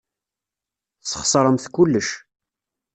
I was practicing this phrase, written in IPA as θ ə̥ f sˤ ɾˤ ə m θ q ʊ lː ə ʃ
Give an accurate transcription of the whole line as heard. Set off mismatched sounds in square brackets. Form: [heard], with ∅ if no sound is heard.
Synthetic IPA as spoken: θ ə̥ [χ] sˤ ɾˤ ə m θ [k] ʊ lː ə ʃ

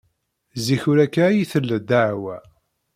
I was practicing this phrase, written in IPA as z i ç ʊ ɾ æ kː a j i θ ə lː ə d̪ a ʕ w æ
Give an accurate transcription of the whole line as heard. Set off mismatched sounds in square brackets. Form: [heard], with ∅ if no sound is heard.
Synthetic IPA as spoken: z i ç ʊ ɾ æ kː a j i θ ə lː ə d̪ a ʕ w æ

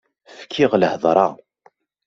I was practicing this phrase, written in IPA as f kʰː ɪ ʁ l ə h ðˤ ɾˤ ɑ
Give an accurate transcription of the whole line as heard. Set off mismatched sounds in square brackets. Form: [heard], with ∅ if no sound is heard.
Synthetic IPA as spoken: f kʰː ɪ ʁ l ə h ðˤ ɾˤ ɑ

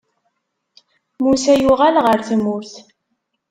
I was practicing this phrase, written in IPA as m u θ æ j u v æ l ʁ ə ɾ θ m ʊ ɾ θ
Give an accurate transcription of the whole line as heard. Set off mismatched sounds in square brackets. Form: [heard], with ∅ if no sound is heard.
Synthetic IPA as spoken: m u [s] æ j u [ʁ] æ l ʁ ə ɾ θ m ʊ ɾ θ

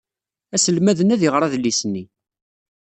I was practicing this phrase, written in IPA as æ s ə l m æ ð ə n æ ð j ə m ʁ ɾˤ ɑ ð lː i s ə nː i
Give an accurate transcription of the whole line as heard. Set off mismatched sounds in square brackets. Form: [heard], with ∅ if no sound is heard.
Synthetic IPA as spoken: æ s ə l m æ ð ə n æ ð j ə [∅] ʁ ɾˤ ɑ ð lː i s ə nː i

